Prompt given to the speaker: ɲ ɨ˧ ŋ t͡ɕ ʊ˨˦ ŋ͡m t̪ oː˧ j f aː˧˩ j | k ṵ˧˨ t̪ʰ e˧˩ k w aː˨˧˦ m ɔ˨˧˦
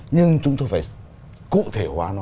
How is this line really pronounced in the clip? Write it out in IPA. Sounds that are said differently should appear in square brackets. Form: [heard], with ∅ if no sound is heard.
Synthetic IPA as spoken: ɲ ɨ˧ ŋ t͡ɕ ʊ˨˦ ŋ͡m t̪ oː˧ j f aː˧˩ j | k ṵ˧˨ t̪ʰ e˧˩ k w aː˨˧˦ [n] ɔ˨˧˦